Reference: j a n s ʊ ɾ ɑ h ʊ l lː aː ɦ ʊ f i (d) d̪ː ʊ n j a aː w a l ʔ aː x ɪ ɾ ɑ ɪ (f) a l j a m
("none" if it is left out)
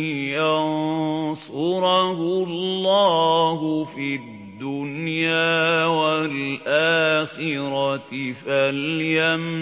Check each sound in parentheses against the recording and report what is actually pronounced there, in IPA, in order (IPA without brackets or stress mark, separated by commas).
d, f